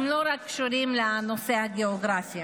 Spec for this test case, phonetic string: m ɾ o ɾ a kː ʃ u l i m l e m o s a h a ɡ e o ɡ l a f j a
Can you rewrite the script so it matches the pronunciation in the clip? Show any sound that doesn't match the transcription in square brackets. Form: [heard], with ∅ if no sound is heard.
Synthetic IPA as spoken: m [l] o ɾ a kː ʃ u [ɾ] i m l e [n] o s [e] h a ɡ e o ɡ [ɾ] a f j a